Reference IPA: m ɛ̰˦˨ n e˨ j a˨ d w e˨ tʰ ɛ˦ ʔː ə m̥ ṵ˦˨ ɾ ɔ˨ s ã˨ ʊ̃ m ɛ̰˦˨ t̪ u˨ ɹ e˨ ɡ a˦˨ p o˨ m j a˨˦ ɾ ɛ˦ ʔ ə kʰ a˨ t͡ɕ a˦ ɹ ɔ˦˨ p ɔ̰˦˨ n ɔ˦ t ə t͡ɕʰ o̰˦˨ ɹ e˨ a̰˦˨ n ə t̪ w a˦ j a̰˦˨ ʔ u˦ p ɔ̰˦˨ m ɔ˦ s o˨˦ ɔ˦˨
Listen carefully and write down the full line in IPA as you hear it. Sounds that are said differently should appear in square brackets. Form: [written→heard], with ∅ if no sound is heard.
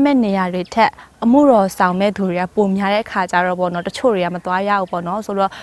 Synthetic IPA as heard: m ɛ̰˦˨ n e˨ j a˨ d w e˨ tʰ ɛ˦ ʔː ə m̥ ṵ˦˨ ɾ ɔ˨ s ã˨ ʊ̃ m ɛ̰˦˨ [t̪→d̪] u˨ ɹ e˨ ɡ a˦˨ p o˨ m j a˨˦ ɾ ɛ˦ ʔ ə kʰ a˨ t͡ɕ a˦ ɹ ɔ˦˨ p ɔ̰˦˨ n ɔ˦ t ə t͡ɕʰ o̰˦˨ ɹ e˨ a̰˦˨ [n→m] ə t̪ w a˦ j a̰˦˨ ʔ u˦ p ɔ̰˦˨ [m→n] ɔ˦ s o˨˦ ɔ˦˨